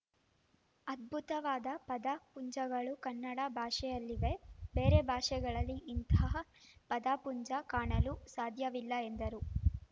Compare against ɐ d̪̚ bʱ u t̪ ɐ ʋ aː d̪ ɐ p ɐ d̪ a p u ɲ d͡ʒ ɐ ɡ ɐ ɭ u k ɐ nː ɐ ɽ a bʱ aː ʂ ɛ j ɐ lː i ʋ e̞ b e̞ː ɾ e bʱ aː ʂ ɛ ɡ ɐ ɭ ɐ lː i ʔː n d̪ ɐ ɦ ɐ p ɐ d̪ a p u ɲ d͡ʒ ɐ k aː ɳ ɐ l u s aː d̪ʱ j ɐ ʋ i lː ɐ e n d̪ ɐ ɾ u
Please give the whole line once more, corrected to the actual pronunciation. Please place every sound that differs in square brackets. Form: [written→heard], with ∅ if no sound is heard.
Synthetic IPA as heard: ɐ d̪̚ bʱ u t̪ ɐ ʋ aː d̪ ɐ p ɐ d̪ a p u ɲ d͡ʒ ɐ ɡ ɐ ɭ u k ɐ nː ɐ ɽ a bʱ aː ʂ ɛ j ɐ lː i ʋ e̞ b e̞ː ɾ e bʱ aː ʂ ɛ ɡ ɐ ɭ ɐ lː i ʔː n [d̪→t̪] ɐ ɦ ɐ p ɐ d̪ a p u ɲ d͡ʒ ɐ k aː ɳ ɐ l u s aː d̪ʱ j ɐ ʋ i lː ɐ e n d̪ ɐ ɾ u